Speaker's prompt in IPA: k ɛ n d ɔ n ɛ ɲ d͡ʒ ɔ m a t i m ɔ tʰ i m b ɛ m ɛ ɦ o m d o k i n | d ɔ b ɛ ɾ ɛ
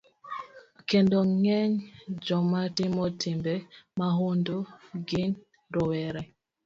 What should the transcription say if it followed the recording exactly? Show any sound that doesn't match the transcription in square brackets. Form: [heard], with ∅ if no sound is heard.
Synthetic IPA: k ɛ n d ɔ [ŋ] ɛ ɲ d͡ʒ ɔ m a t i m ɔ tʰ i m b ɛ m [a] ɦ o [n] d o [ɡ] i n | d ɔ [w] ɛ ɾ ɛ

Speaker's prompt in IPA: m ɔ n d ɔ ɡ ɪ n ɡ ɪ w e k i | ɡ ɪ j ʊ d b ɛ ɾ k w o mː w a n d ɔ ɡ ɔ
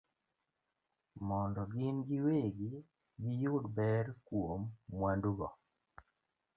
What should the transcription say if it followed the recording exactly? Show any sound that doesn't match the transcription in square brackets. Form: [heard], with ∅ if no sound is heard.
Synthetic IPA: m ɔ n d ɔ ɡ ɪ n ɡ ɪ w e [ɡ] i | ɡ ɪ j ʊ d b ɛ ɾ k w o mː w a n d [u] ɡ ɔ

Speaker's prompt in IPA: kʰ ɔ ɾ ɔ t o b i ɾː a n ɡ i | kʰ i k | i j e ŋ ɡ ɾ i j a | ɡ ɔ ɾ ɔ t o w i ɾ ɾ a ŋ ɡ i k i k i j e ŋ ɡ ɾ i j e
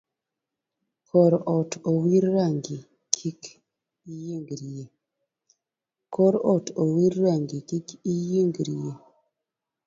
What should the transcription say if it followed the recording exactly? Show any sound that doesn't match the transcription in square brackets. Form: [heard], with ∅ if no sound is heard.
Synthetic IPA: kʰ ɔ ɾ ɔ t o [w] i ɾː a [ŋ] ɡ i | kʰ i k | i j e ŋ ɡ ɾ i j [e] | [k] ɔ ɾ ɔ t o w i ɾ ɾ a ŋ ɡ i k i k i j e ŋ ɡ ɾ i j e

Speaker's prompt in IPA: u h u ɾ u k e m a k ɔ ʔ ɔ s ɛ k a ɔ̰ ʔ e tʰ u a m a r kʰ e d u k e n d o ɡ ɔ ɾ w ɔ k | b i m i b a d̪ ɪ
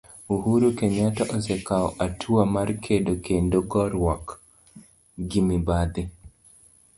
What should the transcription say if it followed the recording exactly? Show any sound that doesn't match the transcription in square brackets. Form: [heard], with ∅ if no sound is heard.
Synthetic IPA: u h u ɾ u k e [ɲ] a [t] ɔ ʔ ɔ s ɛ k a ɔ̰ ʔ [a] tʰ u a m a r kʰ e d [o] k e n d o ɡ ɔ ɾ w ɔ k | [ɡ] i m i b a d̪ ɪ

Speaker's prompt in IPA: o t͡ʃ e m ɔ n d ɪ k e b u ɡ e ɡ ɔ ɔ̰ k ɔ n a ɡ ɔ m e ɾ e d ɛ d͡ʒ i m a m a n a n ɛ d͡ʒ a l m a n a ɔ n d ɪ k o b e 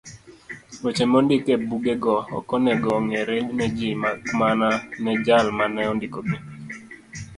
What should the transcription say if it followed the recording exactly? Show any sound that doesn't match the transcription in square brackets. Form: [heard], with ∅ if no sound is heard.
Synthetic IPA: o t͡ʃ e m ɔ n d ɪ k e b u ɡ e ɡ ɔ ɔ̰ k ɔ n [ɛ] ɡ ɔ [ŋ] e ɾ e [n] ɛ d͡ʒ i m a m a n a n ɛ d͡ʒ a l m a n [ɛ] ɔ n d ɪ k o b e

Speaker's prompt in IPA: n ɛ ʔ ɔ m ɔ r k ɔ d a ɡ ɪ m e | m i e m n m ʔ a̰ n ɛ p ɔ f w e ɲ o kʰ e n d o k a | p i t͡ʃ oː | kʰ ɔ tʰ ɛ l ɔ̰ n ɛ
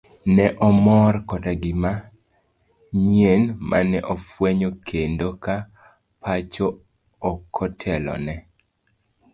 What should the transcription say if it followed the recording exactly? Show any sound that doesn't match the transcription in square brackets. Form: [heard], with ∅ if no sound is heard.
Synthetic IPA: n ɛ ʔ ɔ m ɔ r k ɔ d a ɡ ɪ m [a] | [ɲ] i e [∅] n m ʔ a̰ n ɛ [ʔ] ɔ f w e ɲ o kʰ e n d o k a | p [a] t͡ʃ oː | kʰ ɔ tʰ ɛ l ɔ̰ n ɛ

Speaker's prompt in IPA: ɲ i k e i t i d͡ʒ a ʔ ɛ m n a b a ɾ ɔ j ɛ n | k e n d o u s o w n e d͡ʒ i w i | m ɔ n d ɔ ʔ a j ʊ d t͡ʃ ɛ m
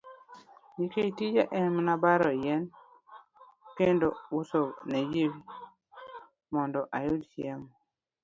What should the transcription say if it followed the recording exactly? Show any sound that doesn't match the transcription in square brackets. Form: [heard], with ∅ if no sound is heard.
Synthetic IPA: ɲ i k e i t i d͡ʒ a ʔ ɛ m n a b a ɾ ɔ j ɛ n | k e n d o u s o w n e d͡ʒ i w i | m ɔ n d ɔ ʔ a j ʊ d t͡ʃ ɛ m

